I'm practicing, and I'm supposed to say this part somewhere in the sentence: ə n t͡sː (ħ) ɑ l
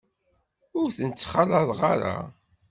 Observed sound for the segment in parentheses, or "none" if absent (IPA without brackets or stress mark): χ